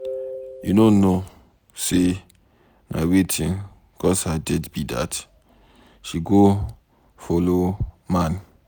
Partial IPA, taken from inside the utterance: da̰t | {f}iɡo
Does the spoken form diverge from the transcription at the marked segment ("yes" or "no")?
yes